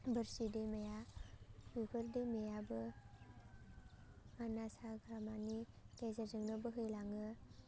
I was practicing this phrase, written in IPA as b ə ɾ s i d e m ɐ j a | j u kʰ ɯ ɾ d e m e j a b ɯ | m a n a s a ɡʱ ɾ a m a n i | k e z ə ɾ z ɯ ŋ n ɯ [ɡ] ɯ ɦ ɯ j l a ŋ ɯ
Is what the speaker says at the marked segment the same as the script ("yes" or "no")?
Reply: no